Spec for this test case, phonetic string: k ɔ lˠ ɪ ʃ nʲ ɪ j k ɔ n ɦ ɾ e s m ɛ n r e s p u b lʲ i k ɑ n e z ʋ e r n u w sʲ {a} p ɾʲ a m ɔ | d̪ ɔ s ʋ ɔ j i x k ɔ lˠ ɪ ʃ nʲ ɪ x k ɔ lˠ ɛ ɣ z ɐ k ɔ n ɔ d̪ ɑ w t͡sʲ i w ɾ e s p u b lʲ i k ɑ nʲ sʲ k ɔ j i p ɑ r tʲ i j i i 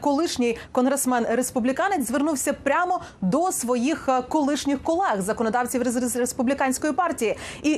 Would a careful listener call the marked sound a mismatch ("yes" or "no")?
yes